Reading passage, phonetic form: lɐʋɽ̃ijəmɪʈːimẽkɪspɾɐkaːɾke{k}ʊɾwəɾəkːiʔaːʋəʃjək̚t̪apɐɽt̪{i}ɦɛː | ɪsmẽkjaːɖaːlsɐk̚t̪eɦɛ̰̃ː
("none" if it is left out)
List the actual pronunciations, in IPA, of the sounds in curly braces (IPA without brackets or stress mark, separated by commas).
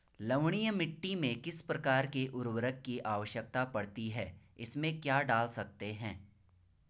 ʔ, i